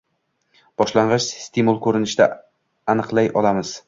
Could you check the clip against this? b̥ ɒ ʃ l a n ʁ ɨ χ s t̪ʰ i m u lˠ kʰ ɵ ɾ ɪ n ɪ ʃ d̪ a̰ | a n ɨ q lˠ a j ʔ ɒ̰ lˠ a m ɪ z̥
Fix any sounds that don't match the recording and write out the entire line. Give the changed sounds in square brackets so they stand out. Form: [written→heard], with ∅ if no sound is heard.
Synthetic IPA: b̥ ɒ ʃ l a [n→ɴ] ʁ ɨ [χ→ʃ] s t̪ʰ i m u lˠ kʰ ɵ ɾ ɪ n ɪ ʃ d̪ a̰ | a n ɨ q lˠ a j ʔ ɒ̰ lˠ a m ɪ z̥